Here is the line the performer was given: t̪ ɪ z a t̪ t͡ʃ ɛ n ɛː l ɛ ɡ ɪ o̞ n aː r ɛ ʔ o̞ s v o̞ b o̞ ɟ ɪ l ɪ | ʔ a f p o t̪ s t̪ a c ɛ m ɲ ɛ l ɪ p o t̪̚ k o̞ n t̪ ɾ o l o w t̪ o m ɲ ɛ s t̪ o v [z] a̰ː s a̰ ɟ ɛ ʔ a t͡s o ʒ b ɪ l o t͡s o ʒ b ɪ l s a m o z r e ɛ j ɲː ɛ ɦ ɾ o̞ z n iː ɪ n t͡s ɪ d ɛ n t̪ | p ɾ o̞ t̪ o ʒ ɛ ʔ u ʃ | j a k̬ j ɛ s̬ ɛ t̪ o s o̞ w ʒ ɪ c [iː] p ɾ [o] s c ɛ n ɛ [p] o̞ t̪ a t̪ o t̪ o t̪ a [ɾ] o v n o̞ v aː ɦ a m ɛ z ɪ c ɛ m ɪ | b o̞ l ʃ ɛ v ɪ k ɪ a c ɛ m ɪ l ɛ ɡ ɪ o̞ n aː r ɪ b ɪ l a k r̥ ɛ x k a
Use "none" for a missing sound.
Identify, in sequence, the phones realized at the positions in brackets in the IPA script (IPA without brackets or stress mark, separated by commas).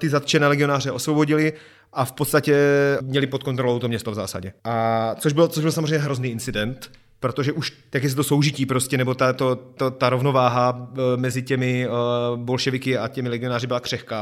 z, iː, o, b, ɾ